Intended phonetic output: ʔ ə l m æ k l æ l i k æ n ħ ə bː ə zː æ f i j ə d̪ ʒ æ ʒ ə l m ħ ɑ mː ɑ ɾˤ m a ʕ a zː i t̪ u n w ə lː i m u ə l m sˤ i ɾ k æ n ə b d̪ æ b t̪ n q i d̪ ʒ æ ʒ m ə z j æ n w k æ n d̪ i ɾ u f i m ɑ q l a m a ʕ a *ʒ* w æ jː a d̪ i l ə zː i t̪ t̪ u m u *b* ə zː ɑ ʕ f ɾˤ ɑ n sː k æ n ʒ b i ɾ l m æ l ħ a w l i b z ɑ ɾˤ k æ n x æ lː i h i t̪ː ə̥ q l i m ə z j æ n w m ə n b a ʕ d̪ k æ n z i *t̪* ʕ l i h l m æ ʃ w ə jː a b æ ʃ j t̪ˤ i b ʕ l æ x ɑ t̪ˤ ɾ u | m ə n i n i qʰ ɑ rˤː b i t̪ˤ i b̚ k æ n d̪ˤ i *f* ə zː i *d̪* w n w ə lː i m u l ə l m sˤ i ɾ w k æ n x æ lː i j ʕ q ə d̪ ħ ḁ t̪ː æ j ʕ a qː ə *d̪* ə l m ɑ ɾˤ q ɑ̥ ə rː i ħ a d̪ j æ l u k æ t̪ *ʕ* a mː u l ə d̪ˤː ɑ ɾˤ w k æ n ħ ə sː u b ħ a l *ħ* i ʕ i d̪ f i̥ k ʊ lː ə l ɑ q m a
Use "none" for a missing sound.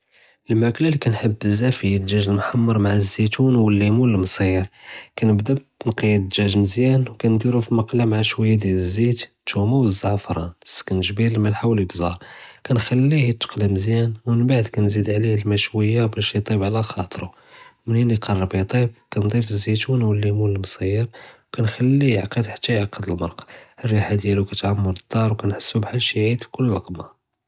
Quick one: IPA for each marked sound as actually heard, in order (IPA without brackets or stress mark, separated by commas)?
ʃ, w, d̪, f, t̪, d̪, ʕ, ʃ